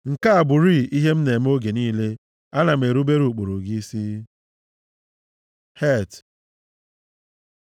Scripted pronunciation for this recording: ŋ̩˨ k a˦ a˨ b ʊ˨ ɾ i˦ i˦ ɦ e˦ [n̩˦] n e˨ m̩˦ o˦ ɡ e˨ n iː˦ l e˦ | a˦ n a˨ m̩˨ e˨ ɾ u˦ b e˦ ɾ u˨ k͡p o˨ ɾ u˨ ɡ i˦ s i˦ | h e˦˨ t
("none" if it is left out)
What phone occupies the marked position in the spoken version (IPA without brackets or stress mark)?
m̩˦